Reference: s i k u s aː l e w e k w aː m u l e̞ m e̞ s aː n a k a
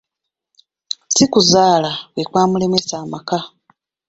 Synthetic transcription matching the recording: s i k u z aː l a w e k w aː m u l e̞ m e̞ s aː m a k a

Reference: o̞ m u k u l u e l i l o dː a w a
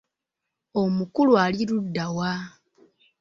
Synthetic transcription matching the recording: o̞ m u k u l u a l i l u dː a w a

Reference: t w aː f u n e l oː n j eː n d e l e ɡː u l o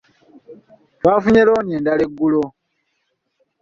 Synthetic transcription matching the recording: t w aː f u ɲ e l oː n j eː n d a l e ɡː u l o

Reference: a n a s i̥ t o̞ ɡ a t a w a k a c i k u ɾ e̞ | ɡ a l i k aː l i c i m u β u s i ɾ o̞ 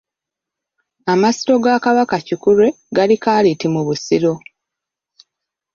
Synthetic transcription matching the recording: a m a s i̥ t o̞ ɡ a k a β a k a c i k u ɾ e̞ | ɡ a l i k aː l i t i m u β u s i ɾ o̞

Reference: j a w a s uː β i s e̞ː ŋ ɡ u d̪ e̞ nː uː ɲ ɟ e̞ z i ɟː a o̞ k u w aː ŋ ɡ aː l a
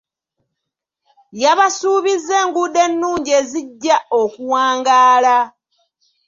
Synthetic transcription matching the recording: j a β a s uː β i z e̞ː ŋ ɡ u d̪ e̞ nː uː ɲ ɟ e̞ z i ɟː a o̞ k u w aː ŋ ɡ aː l a

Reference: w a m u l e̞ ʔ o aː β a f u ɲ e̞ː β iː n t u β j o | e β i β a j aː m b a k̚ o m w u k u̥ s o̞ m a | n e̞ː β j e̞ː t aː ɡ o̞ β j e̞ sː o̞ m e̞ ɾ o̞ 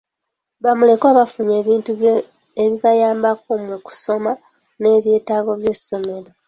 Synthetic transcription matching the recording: β a m u l e̞ k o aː β a f u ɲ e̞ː β iː n t u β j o | e β i β a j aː m b a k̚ o m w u k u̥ s o̞ m a | n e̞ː β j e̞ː t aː ɡ o̞ β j e̞ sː o̞ m e̞ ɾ o̞

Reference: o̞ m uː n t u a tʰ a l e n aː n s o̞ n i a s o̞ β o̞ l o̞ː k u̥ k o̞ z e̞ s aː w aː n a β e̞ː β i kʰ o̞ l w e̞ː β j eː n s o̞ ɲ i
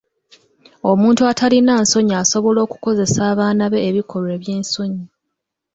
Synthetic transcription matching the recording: o̞ m uː n t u a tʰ a l i n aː n s o̞ ɲ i a s o̞ β o̞ l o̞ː k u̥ k o̞ z e̞ s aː β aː n a β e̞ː β i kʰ o̞ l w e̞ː β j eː n s o̞ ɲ i

